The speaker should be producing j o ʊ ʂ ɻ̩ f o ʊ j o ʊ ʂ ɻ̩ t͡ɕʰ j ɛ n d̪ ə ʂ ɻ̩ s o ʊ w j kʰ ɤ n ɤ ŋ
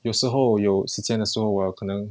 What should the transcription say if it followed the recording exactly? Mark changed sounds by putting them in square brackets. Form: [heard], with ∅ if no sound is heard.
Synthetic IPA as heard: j o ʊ ʂ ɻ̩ [x] o ʊ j o ʊ ʂ ɻ̩ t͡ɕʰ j ɛ n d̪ ə ʂ ɻ̩ [x] o ʊ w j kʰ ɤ n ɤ ŋ